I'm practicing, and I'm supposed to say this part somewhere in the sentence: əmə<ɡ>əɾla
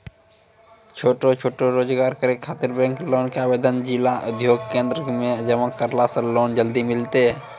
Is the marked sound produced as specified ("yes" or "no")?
no